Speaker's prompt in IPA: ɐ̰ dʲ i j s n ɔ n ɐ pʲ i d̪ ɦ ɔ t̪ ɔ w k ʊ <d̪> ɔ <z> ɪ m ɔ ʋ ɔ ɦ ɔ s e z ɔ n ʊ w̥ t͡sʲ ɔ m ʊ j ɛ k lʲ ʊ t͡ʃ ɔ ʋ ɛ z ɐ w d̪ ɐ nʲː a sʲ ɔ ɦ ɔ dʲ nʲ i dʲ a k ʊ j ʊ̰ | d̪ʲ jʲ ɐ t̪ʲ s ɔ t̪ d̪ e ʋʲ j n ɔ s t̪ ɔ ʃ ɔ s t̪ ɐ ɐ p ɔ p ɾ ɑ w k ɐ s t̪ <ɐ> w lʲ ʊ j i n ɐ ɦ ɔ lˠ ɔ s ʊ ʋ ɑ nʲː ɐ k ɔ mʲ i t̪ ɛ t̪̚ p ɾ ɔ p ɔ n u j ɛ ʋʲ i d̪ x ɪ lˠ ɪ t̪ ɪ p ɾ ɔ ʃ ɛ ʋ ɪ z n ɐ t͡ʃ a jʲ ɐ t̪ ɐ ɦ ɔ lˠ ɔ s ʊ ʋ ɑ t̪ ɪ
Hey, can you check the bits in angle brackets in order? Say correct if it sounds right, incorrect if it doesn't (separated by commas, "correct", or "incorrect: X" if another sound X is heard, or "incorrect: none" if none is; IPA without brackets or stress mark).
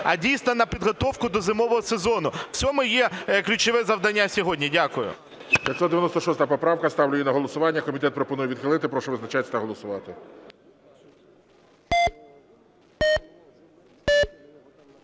correct, correct, incorrect: ɑ